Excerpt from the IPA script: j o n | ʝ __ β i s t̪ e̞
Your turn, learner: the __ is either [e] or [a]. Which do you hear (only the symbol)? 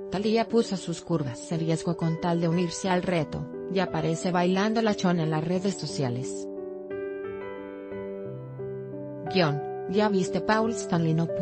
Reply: a